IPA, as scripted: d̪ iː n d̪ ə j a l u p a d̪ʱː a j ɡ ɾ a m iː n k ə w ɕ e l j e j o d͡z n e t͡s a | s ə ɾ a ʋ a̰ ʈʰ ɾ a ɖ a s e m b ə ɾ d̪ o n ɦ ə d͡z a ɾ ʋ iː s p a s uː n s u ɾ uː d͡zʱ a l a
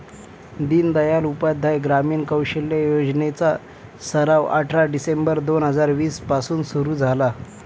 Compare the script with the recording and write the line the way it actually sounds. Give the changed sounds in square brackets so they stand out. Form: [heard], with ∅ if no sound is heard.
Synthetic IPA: d̪ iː n d̪ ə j a l u p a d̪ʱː a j ɡ ɾ a m iː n k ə w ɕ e l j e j o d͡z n e t͡s a | s ə ɾ a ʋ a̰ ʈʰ ɾ a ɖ [i] s e m b ə ɾ d̪ o n ɦ ə d͡z a ɾ ʋ iː s p a s uː n s u ɾ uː d͡zʱ a l a